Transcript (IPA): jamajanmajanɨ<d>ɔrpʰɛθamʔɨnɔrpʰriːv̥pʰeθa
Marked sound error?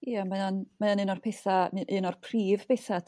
yes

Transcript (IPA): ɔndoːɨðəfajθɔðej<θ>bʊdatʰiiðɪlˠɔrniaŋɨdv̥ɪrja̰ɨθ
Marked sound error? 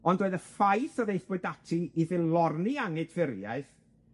no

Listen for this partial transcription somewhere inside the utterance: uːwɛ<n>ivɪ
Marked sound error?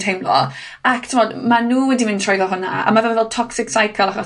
yes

